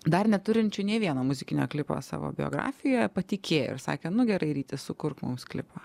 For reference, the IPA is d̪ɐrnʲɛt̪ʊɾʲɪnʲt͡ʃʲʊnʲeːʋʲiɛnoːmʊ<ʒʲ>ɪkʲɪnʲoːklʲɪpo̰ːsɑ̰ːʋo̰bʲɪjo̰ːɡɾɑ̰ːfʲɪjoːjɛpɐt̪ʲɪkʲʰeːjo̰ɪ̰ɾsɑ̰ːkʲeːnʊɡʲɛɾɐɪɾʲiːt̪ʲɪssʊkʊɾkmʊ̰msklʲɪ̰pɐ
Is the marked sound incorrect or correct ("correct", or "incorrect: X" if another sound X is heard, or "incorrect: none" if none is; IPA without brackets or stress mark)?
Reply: incorrect: zʲ